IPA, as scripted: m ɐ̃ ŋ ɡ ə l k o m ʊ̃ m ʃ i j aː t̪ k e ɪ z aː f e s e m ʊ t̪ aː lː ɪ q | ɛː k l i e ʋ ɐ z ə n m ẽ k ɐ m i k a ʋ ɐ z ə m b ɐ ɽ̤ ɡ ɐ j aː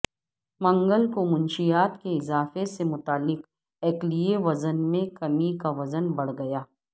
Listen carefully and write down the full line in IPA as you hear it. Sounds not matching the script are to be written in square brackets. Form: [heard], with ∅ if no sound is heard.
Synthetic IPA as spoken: m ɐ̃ ŋ ɡ ə l k o m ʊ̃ [n] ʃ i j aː t̪ k e ɪ z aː f e s e m ʊ t̪ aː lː ɪ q | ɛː k l i e ʋ ɐ z ə n m ẽ k ɐ m i k a ʋ ɐ z ə [n] b ɐ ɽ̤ ɡ ɐ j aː